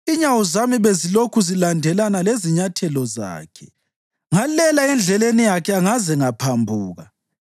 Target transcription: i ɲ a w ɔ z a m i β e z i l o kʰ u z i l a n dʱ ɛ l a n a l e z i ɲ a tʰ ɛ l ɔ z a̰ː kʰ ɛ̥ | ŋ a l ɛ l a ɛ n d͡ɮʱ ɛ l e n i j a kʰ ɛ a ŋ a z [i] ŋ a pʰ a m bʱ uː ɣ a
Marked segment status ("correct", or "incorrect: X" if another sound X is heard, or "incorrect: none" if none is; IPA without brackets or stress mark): incorrect: ɛ